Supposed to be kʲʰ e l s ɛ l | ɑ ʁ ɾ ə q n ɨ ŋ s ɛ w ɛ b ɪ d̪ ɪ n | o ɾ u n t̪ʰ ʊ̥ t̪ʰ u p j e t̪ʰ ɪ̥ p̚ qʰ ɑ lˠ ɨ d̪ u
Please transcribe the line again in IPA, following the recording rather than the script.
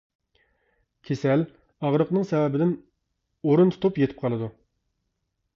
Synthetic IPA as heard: kʲʰ e s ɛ l | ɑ ʁ ɾ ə q n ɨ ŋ s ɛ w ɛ b ɪ d̪ ɪ n | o ɾ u n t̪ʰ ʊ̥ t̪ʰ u p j e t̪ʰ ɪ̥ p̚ qʰ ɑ lˠ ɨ d̪ u